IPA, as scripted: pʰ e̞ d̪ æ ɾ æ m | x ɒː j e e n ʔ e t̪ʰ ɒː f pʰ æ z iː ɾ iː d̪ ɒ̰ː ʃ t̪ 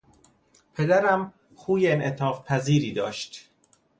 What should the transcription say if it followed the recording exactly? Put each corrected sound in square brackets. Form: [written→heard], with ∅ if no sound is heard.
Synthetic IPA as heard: pʰ e̞ d̪ æ ɾ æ m | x [ɒː→uː] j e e n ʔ e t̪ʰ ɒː f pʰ æ z iː ɾ iː d̪ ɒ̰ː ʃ t̪